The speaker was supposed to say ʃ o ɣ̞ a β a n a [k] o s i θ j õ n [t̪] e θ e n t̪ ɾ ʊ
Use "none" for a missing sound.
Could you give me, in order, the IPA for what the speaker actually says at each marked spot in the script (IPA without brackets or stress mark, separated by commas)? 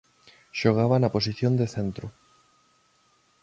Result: p, d̪